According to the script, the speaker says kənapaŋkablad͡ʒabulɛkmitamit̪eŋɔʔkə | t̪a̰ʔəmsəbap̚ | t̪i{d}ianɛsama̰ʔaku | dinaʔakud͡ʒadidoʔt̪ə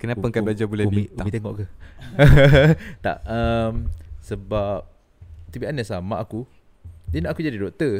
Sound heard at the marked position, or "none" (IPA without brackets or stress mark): b